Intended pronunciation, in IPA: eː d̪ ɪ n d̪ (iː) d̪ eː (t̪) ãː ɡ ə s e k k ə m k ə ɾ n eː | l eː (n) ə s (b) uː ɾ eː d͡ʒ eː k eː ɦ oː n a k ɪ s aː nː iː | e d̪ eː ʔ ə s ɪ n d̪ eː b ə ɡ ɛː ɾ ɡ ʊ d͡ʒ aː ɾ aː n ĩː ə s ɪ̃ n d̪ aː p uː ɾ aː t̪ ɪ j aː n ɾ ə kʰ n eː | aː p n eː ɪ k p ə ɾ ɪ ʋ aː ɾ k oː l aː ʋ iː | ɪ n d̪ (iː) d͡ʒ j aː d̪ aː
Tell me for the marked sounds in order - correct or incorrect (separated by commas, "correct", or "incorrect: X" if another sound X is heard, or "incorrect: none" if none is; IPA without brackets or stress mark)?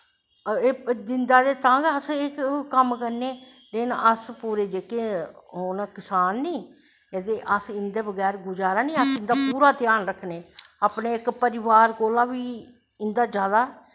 incorrect: aː, correct, correct, incorrect: p, incorrect: aː